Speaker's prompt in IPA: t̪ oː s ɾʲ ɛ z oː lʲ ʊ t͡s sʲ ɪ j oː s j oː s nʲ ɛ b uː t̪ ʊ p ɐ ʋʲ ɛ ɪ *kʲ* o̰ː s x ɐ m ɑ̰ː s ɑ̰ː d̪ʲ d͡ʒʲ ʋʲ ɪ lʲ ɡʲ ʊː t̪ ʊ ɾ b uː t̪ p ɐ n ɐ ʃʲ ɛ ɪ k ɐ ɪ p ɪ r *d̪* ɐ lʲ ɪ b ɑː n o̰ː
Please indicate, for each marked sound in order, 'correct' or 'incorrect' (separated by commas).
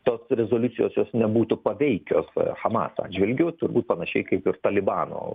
correct, incorrect